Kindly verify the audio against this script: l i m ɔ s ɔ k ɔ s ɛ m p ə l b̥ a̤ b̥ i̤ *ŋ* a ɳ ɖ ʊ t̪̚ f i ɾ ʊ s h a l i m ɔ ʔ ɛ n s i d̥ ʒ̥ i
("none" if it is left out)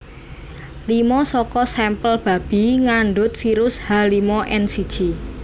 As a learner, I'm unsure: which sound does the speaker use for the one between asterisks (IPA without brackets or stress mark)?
ŋ